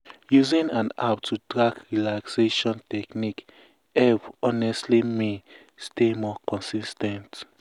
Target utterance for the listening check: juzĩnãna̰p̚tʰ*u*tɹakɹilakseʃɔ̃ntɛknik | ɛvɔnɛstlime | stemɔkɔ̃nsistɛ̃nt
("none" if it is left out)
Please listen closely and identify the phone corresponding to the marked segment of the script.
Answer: u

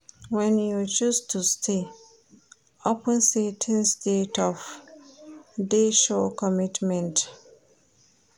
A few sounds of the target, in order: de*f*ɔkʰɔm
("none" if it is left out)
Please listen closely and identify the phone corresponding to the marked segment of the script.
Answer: ʃ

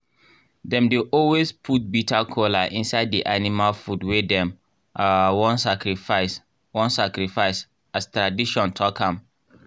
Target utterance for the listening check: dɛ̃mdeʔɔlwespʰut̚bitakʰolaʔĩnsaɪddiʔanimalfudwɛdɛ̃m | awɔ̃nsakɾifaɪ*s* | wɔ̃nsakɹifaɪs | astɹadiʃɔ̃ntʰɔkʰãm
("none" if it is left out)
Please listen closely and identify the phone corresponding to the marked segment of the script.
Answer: s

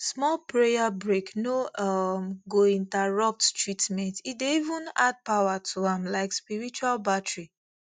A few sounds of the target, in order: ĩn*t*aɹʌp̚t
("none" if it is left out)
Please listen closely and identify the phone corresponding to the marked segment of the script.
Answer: t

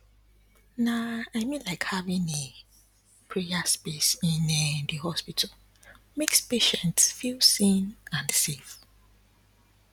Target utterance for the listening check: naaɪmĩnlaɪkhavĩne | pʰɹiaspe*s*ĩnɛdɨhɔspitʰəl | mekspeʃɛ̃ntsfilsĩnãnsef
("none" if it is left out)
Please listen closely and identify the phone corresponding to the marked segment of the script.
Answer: s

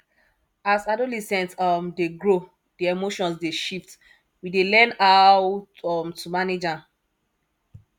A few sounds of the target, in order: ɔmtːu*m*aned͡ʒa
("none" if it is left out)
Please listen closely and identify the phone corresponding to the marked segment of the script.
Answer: m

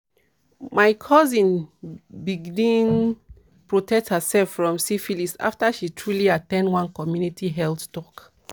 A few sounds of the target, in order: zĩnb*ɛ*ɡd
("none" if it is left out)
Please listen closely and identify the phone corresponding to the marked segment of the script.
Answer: i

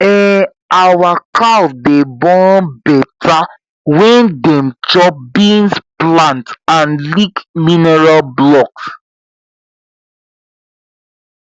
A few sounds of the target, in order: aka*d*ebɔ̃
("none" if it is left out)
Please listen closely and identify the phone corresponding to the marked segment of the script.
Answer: d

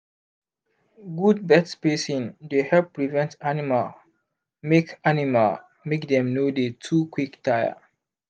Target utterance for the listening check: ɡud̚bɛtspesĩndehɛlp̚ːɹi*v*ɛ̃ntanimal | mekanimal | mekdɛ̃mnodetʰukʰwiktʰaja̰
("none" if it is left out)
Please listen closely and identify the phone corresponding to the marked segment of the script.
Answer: v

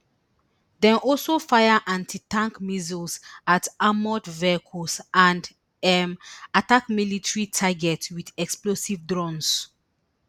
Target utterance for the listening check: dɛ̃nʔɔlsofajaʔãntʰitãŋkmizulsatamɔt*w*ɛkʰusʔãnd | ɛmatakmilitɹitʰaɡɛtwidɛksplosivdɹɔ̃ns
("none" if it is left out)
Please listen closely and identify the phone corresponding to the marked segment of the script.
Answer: v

